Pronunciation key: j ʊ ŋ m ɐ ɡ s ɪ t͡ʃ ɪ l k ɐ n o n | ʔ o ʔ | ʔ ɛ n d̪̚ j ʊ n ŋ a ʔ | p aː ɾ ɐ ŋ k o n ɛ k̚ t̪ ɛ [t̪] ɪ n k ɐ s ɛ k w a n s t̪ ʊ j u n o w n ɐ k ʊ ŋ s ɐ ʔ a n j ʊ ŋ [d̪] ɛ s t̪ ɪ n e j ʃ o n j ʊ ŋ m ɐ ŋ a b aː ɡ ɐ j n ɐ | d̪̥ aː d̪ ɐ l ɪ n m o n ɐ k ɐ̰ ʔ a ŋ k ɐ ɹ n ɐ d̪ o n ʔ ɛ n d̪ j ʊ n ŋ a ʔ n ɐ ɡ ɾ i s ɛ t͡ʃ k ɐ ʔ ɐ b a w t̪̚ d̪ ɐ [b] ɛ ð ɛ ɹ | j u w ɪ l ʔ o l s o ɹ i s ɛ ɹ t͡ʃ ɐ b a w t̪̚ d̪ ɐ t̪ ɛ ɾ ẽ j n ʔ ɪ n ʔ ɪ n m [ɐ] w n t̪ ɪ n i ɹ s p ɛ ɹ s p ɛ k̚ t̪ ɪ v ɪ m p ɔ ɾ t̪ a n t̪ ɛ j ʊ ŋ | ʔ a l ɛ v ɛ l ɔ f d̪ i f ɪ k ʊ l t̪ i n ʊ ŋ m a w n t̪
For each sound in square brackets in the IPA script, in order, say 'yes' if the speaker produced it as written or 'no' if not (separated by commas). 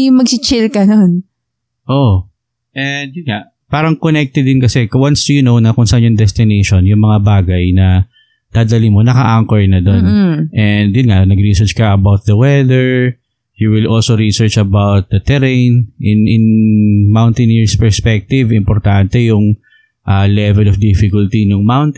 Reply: no, yes, no, no